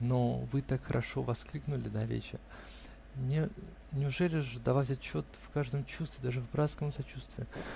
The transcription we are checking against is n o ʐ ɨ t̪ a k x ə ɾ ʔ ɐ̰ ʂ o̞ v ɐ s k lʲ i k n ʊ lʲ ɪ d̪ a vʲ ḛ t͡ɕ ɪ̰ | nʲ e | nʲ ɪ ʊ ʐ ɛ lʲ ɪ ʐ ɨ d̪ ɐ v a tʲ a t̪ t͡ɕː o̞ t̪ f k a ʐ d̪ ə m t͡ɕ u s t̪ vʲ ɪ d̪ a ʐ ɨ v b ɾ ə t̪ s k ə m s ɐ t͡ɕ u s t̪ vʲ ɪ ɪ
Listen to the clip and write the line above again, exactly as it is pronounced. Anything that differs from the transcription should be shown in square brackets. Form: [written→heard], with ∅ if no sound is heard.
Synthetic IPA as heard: n o [ʐ→v] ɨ t̪ a k x ə ɾ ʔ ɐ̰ ʂ o̞ v ɐ s k lʲ i k n ʊ lʲ ɪ d̪ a vʲ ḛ t͡ɕ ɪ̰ | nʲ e | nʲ ɪ ʊ ʐ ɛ lʲ ɪ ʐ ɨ d̪ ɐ v a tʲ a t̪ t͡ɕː o̞ t̪ f k a ʐ d̪ ə m t͡ɕ u s t̪ vʲ ɪ d̪ a ʐ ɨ v b ɾ [ə→a] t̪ s k ə m s ɐ t͡ɕ u s t̪ vʲ ɪ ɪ

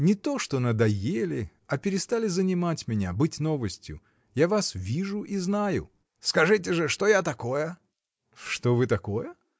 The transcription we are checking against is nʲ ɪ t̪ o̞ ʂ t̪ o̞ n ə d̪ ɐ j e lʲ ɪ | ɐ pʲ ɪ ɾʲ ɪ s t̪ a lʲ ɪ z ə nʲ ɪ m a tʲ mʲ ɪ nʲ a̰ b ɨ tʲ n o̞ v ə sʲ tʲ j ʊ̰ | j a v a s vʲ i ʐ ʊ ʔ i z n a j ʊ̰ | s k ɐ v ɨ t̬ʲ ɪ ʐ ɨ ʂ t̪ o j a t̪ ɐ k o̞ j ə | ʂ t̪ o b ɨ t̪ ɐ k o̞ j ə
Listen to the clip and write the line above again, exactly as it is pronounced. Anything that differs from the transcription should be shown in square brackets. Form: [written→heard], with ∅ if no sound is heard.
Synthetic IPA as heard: nʲ ɪ t̪ o̞ ʂ t̪ o̞ n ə d̪ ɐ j e lʲ ɪ | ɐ pʲ ɪ ɾʲ ɪ s t̪ a lʲ ɪ z ə nʲ ɪ m a tʲ mʲ ɪ nʲ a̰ b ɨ tʲ n o̞ v ə sʲ tʲ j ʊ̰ | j a v a s vʲ i ʐ ʊ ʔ i z n a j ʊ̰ | s k ɐ [v→ʐ] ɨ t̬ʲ ɪ ʐ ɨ ʂ t̪ o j a t̪ ɐ k o̞ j ə | ʂ t̪ o [b→v] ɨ t̪ ɐ k o̞ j ə

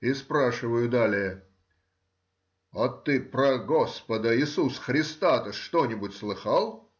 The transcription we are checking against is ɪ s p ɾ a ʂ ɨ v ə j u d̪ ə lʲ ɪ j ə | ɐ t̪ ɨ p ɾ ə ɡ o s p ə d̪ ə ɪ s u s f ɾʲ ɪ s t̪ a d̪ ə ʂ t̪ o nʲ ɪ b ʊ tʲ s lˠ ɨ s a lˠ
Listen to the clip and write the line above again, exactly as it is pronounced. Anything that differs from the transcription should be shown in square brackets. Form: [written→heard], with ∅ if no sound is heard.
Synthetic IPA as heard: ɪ s p ɾ a ʂ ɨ v ə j [u→ʊ] d̪ [ə→a] lʲ ɪ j ə | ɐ t̪ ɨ p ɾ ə ɡ o s p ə d̪ ə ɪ s u s [f→x] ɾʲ ɪ s t̪ a [d̪→t̪] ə ʂ t̪ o nʲ ɪ b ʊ tʲ s lˠ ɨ [s→x] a lˠ

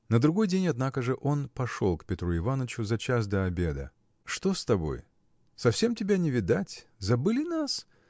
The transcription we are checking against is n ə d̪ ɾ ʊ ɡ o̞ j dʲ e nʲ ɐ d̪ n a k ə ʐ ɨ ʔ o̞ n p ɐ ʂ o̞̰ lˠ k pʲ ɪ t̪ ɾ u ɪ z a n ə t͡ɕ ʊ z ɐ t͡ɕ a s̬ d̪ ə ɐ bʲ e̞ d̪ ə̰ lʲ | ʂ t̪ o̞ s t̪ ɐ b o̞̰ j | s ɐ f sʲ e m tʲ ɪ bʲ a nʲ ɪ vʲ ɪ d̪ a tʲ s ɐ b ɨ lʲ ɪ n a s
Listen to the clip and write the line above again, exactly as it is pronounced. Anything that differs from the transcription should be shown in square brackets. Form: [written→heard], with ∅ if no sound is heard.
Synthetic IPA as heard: n ə d̪ ɾ ʊ ɡ o̞ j dʲ e nʲ ɐ d̪ n a k ə ʐ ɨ ʔ o̞ n p ɐ ʂ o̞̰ lˠ k pʲ ɪ t̪ ɾ u ɪ [z→v] a n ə t͡ɕ ʊ z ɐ t͡ɕ a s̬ d̪ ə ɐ bʲ e̞ d̪ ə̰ [lʲ→∅] | ʂ t̪ o̞ s t̪ ɐ b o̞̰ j | s ɐ f sʲ e m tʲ ɪ bʲ a nʲ ɪ vʲ ɪ d̪ a tʲ [s→z] ɐ b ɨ lʲ ɪ n a s

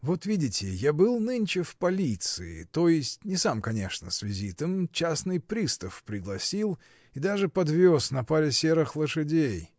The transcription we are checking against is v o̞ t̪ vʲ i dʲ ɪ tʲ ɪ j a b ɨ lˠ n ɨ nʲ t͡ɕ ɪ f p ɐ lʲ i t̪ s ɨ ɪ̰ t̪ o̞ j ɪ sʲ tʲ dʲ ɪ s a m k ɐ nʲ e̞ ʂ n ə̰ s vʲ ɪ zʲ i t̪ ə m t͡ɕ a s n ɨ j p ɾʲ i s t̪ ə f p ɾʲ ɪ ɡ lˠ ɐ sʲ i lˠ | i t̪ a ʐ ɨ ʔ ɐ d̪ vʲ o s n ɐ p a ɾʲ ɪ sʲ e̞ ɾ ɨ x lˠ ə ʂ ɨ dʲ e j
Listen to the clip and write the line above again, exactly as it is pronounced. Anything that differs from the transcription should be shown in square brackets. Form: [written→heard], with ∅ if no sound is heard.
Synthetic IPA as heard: v o̞ t̪ vʲ i dʲ ɪ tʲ ɪ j a b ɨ lˠ n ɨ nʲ t͡ɕ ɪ f p ɐ lʲ i t̪ s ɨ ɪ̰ t̪ o̞ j ɪ sʲ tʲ [dʲ→nʲ] ɪ s a m k ɐ nʲ e̞ ʂ n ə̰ s vʲ ɪ zʲ i t̪ ə m t͡ɕ a s n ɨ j p ɾʲ i s t̪ ə f p ɾʲ ɪ ɡ lˠ ɐ sʲ i lˠ | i [t̪→d̪] a ʐ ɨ [ʔ→p] ɐ d̪ vʲ o s n ɐ p a ɾʲ ɪ sʲ e̞ ɾ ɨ x lˠ ə ʂ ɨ dʲ e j

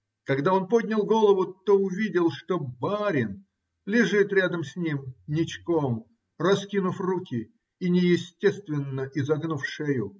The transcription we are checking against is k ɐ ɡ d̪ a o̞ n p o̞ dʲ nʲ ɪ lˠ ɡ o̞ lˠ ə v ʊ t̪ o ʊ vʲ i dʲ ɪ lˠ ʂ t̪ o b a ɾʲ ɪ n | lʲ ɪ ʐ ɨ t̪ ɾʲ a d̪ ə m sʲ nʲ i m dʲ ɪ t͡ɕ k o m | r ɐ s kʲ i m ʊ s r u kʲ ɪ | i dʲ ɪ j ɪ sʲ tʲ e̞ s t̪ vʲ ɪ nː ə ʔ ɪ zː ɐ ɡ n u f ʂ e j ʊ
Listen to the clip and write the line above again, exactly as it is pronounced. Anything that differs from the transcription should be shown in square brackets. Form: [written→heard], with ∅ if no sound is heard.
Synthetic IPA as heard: k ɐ ɡ d̪ a o̞ n p o̞ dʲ nʲ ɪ lˠ ɡ o̞ lˠ ə v ʊ t̪ o ʊ vʲ i dʲ ɪ lˠ ʂ t̪ o b a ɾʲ ɪ n | lʲ ɪ ʐ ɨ t̪ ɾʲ a d̪ ə m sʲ nʲ i m [dʲ→nʲ] ɪ t͡ɕ k o m | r ɐ s kʲ i [m→n] ʊ [s→f] r u kʲ ɪ | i [dʲ→nʲ] ɪ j ɪ sʲ tʲ e̞ s t̪ vʲ ɪ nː ə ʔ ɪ [zː→z] ɐ ɡ n u f ʂ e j ʊ

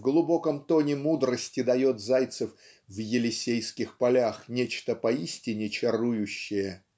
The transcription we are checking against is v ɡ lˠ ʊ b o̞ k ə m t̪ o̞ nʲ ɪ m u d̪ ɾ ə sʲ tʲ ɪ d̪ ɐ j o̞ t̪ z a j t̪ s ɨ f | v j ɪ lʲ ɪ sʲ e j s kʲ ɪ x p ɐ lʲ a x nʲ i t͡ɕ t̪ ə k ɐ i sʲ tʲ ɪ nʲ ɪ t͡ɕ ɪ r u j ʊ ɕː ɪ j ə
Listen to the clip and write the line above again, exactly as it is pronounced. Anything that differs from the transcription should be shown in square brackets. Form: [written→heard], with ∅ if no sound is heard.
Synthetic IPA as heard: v ɡ lˠ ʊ b o̞ k ə m t̪ o̞ nʲ ɪ m u d̪ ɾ ə sʲ tʲ ɪ d̪ ɐ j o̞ t̪ z a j t̪ s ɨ f | v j ɪ lʲ ɪ sʲ e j s kʲ ɪ x p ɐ lʲ a x nʲ [i→e] t͡ɕ t̪ ə [k→p] ɐ i sʲ tʲ ɪ nʲ ɪ t͡ɕ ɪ r u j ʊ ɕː ɪ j ə

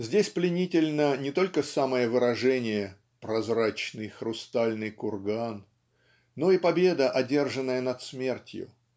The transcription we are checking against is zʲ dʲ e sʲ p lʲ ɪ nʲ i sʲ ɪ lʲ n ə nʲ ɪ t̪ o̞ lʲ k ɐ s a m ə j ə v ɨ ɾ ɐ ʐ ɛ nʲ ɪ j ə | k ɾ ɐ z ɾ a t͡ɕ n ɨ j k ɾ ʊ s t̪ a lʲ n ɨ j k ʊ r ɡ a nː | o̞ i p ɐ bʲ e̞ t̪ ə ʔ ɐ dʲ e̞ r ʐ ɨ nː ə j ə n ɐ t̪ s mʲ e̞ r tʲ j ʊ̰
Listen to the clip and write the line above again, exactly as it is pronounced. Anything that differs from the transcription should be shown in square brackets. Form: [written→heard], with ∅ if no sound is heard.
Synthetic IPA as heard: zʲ dʲ e sʲ p lʲ ɪ nʲ i [sʲ→tʲ] ɪ lʲ n ə nʲ ɪ t̪ o̞ lʲ k [ɐ→ə] s a m ə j ə v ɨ ɾ ɐ ʐ ɛ nʲ ɪ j ə | [k→p] ɾ ɐ z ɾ a t͡ɕ n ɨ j [k→x] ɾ ʊ s t̪ a lʲ n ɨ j k ʊ r ɡ a nː | o̞ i p ɐ bʲ e̞ [t̪→d̪] ə ʔ ɐ dʲ e̞ r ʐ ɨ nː ə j ə n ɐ t̪ s mʲ e̞ r tʲ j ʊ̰

